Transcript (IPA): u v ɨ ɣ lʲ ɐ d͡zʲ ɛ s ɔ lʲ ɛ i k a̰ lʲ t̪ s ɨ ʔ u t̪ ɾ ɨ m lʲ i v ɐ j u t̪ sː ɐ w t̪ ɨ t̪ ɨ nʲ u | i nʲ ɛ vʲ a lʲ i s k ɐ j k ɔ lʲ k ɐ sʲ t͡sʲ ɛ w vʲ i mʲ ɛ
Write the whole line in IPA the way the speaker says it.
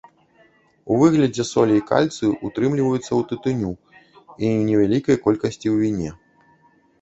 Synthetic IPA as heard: u v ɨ ɣ lʲ ɐ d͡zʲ ɛ s ɔ lʲ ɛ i k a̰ lʲ t̪ s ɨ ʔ u t̪ ɾ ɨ m lʲ i v ɐ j u t̪ sː ɐ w t̪ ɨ t̪ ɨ nʲ u | i nʲ ɛ vʲ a lʲ i k ɐ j k ɔ lʲ k ɐ sʲ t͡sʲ i w vʲ i nʲ ɛ